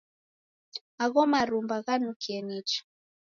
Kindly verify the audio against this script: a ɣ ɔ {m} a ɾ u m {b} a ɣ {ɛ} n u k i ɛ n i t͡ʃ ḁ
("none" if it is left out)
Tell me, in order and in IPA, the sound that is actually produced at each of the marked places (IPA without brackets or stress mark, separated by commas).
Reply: m, b, a